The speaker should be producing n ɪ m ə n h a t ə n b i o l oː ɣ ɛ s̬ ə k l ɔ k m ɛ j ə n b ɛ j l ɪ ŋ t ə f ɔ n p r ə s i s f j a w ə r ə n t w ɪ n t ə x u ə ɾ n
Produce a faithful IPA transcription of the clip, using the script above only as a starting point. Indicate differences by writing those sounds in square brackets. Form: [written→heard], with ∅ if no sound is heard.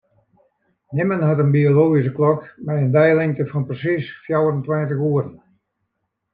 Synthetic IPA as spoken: n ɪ m ə n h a t ə n b i o l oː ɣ [ɛ→i] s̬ ə k l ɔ k m ɛ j ə n [b→d] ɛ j l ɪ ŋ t ə f ɔ n p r ə s i s f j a w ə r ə n t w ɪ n t ə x u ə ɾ n